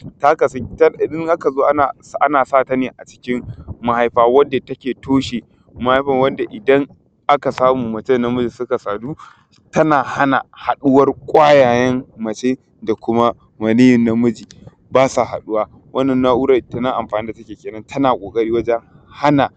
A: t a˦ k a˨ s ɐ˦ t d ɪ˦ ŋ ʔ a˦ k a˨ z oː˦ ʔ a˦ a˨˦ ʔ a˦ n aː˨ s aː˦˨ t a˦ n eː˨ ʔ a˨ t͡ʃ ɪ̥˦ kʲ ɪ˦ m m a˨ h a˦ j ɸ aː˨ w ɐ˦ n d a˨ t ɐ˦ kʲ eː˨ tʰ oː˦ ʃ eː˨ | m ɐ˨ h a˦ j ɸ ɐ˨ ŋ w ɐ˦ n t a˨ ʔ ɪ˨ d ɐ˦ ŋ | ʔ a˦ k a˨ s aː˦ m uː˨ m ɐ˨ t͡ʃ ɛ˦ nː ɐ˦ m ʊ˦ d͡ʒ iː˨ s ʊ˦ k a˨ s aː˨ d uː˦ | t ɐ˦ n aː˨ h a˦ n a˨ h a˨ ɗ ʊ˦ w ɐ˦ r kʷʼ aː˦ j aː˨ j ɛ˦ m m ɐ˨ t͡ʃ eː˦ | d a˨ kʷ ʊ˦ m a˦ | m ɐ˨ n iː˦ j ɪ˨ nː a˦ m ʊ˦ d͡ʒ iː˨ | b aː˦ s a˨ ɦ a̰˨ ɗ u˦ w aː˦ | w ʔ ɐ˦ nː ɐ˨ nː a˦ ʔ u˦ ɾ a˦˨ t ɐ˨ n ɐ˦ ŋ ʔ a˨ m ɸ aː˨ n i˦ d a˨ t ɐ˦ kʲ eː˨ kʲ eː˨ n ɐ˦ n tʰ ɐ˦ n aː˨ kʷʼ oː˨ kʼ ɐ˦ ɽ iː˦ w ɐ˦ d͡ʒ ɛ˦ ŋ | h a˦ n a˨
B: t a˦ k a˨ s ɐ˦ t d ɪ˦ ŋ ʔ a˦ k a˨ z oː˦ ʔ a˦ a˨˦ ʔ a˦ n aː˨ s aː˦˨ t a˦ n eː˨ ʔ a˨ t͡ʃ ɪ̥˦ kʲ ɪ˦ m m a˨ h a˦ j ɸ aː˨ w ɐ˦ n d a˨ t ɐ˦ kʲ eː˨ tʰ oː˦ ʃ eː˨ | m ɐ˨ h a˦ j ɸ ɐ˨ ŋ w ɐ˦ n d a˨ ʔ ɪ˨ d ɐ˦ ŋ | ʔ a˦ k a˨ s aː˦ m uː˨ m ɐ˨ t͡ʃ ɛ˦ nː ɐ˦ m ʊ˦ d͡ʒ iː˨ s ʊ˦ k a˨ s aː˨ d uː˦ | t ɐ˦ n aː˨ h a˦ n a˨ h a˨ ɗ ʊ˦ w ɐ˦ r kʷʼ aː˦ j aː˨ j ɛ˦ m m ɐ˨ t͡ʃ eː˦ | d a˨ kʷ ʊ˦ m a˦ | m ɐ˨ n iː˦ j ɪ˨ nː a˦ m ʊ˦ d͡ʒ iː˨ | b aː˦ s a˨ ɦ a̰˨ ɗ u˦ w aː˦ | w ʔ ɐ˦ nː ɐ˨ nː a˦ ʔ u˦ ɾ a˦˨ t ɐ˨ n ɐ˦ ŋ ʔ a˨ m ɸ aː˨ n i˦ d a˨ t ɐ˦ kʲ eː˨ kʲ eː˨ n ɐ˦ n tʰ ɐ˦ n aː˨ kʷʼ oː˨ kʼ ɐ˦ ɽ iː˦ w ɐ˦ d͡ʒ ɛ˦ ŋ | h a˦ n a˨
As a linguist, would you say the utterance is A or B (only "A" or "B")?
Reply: B